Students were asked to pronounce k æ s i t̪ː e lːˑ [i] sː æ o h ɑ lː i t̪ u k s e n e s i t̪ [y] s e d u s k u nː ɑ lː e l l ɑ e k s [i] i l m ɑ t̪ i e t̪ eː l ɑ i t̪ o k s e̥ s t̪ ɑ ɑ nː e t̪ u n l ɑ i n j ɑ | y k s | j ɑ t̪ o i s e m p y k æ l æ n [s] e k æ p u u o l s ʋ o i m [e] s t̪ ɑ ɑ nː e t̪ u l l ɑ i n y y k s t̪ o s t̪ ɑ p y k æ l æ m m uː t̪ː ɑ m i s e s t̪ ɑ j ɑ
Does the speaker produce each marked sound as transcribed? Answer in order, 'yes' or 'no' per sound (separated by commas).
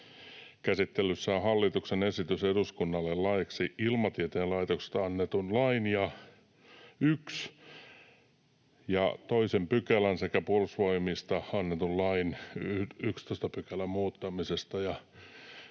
no, yes, yes, yes, no